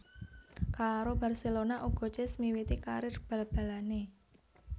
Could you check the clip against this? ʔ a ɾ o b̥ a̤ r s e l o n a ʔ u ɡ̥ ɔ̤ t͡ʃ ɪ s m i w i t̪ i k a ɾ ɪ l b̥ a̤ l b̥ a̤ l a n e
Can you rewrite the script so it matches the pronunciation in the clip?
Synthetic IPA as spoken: k a ɾ o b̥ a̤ r s e l o n a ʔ u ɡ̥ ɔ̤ t͡ʃ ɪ s m i w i t̪ i k a ɾ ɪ r b̥ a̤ l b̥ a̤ l a n e